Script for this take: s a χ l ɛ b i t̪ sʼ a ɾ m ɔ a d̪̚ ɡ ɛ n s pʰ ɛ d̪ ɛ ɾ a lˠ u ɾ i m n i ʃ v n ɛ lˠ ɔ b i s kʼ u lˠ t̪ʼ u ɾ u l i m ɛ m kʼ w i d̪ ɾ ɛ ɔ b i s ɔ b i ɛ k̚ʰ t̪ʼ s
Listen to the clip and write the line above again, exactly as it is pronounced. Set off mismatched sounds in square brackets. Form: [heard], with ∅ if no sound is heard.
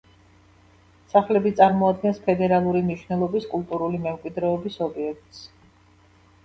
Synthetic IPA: s a χ l ɛ b i t̪ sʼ a ɾ m ɔ a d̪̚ ɡ ɛ n s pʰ ɛ d̪ ɛ ɾ a lˠ u ɾ i m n i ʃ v n ɛ lˠ ɔ b i s kʼ u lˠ t̪ʼ u ɾ u l i m ɛ m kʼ w i d̪ ɾ ɛ ɔ b i s ɔ b i ɛ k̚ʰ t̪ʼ s